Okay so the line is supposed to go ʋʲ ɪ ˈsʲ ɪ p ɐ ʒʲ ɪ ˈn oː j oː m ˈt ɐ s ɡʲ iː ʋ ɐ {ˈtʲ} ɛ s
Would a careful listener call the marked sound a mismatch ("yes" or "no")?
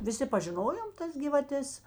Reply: no